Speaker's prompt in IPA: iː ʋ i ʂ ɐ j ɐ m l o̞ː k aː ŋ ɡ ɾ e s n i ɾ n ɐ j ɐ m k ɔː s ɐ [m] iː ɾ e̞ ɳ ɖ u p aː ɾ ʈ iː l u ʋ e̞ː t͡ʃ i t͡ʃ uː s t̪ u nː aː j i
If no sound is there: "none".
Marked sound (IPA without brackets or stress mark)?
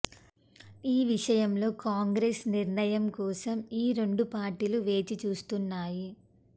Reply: m